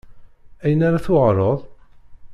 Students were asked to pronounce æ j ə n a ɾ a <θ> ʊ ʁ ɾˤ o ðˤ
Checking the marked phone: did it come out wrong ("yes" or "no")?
no